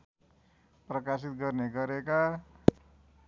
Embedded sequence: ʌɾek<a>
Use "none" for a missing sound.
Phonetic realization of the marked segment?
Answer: a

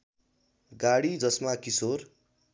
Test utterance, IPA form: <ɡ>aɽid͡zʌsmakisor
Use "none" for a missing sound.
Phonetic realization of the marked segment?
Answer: ɡ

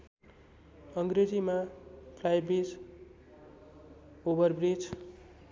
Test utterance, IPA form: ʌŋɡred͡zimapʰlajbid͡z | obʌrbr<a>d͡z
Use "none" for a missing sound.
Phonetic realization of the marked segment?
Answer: i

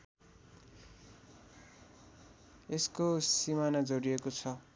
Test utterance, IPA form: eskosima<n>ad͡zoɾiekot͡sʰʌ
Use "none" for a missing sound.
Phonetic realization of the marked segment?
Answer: n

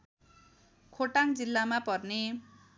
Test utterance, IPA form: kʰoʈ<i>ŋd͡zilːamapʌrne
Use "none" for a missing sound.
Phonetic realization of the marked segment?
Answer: a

